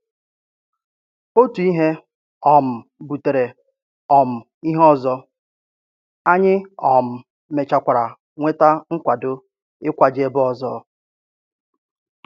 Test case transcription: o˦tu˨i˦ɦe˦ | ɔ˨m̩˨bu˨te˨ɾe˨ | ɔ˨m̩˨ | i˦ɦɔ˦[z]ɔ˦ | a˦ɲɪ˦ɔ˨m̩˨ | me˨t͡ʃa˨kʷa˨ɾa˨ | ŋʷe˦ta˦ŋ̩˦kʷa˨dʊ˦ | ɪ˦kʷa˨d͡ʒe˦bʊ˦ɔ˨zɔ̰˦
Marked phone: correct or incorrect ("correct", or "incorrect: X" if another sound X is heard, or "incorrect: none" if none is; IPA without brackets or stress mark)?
correct